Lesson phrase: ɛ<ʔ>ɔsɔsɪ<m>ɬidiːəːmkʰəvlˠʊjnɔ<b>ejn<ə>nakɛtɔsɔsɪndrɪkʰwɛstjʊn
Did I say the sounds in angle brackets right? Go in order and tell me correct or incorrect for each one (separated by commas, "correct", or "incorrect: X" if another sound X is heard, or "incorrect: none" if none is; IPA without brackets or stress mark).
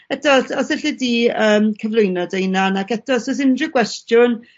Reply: incorrect: t, incorrect: none, incorrect: d, incorrect: a